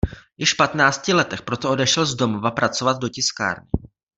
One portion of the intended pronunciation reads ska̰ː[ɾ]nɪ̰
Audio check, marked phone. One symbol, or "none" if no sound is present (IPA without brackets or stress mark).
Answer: ɾ